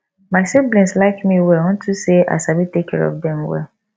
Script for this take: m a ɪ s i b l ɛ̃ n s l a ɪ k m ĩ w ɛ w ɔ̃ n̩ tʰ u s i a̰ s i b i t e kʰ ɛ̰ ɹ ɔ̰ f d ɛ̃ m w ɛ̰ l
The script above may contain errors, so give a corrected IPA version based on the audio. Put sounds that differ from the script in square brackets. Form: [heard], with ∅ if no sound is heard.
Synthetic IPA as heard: m a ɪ s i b l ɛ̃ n s l a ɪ k m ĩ w ɛ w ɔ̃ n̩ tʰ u s [e] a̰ s [a] b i t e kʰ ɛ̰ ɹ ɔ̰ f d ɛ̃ m w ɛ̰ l